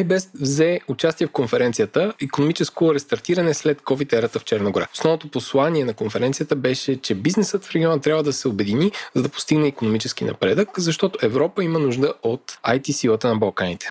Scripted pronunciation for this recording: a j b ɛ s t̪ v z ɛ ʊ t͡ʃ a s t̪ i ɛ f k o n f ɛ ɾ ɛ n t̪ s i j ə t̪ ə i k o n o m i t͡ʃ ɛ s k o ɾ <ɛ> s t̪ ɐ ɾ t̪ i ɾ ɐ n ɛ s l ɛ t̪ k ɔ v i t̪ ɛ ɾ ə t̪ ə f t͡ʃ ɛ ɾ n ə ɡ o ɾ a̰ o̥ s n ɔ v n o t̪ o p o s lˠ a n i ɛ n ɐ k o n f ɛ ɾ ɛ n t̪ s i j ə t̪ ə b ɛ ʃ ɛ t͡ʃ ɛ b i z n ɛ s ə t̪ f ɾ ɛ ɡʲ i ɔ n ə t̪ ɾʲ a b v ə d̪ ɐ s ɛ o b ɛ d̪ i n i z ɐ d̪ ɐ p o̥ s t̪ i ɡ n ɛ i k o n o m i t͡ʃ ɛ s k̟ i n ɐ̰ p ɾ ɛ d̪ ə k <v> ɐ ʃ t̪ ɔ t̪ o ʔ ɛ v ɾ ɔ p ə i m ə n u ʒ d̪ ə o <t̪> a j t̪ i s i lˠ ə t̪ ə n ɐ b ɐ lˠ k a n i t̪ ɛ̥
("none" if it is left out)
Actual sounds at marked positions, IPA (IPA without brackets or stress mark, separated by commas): ɛ, z, t̪